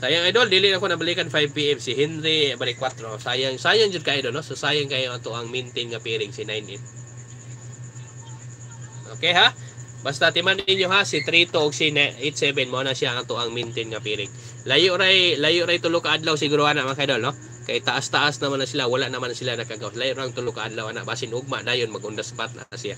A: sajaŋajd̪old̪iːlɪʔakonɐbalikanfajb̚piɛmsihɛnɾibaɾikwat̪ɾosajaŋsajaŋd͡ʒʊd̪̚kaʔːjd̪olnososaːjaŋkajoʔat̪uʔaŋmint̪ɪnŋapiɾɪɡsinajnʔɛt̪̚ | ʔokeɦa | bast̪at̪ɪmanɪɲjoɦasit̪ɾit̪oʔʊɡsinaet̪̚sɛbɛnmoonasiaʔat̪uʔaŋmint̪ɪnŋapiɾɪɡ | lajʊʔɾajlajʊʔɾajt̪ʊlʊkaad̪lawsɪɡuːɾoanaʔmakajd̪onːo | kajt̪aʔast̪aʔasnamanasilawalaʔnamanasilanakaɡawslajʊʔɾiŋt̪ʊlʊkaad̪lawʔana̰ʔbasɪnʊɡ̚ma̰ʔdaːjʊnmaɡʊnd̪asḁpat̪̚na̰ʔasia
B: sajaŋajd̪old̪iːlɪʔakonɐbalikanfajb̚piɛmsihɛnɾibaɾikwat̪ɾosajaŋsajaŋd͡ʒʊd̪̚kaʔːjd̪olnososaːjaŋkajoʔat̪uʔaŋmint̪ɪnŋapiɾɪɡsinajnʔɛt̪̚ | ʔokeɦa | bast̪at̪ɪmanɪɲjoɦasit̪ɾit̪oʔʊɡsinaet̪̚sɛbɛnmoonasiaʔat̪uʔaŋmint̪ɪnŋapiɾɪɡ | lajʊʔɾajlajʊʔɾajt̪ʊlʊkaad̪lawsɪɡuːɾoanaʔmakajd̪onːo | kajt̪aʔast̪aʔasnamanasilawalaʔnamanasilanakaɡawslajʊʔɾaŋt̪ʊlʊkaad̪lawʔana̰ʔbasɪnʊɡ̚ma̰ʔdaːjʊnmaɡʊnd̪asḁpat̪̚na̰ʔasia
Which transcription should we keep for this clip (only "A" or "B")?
B